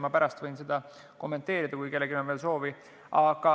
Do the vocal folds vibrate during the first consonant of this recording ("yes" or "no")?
yes